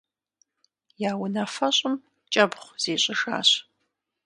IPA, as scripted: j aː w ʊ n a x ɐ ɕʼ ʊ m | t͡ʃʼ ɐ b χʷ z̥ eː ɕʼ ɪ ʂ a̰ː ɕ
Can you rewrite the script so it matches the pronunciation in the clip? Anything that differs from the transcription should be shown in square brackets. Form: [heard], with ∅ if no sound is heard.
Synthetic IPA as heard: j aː w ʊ n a [f] ɐ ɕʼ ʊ m | t͡ʃʼ ɐ b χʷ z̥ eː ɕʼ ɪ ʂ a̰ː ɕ